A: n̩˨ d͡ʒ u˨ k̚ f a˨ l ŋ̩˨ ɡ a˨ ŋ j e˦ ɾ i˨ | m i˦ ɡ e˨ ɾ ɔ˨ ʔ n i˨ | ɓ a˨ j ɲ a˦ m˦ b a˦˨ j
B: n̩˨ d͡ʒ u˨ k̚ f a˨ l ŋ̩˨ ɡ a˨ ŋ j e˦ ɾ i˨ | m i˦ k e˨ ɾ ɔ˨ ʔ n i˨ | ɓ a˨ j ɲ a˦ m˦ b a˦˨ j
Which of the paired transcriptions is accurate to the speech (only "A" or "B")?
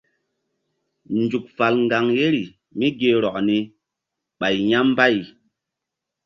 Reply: A